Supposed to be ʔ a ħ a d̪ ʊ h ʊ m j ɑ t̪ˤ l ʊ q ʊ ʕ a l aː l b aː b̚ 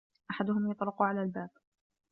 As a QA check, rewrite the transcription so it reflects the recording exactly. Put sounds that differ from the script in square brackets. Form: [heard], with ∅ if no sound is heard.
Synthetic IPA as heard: ʔ a ħ a d̪ ʊ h ʊ m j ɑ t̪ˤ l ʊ q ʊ ʕ a l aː l b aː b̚